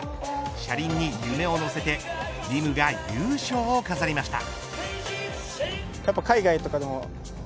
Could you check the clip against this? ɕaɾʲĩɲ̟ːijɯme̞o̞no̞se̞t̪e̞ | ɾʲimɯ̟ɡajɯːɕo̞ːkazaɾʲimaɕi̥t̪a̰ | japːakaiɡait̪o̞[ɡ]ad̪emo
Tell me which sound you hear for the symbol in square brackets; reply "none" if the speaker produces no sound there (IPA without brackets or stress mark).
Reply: k